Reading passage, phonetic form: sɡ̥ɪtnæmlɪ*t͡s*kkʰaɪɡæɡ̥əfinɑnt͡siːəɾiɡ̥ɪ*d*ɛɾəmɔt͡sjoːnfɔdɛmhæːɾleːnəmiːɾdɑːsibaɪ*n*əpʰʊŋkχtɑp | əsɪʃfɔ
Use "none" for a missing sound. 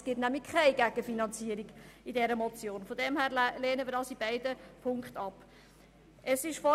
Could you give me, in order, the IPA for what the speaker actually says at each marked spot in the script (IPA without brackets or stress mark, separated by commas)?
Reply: none, d, d